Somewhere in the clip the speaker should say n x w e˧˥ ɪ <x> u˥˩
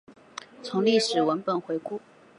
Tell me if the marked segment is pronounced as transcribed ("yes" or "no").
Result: no